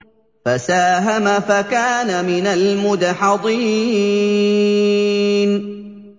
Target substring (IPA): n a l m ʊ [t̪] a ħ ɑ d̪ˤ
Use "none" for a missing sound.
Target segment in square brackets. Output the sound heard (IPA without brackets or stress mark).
d̪